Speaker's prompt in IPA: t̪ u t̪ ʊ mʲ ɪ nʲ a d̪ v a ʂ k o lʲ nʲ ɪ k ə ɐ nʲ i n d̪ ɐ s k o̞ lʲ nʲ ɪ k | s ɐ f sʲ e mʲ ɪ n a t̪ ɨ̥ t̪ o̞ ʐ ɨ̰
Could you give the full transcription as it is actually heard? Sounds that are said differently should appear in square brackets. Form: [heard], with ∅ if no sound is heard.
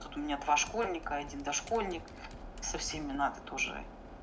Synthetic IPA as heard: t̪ u t̪ ʊ mʲ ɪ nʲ a d̪ v a ʂ k o lʲ nʲ ɪ k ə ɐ [dʲ] i n d̪ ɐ [ʂ] k o̞ lʲ nʲ ɪ k | s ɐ f sʲ e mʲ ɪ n a t̪ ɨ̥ t̪ o̞ ʐ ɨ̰